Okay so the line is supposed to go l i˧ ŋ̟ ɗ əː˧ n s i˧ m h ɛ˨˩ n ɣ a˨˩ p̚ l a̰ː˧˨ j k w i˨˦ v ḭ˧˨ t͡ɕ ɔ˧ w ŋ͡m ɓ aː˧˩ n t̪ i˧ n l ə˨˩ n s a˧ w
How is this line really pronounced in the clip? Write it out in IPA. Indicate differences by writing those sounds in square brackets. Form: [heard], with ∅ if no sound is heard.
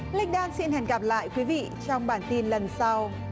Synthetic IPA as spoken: l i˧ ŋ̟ ɗ [aː˧] n s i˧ [n] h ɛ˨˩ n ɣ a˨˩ p̚ l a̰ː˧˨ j k w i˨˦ v ḭ˧˨ t͡ɕ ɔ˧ w ŋ͡m ɓ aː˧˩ n t̪ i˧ n l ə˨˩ n s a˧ w